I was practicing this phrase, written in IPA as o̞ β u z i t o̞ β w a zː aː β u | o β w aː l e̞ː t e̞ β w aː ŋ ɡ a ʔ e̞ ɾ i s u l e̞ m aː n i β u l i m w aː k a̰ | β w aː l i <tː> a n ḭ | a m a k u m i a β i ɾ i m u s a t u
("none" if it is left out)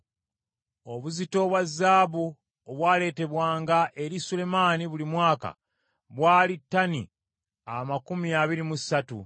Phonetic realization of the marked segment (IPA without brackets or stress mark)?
tː